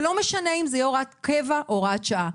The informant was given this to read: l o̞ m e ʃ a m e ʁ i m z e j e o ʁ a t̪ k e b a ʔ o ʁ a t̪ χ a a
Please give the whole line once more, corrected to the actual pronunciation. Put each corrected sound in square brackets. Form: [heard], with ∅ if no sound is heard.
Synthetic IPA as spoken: l o̞ m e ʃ a [n] e [∅] i m z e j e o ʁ a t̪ k e [v] a ʔ o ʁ a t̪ [ʃ] a a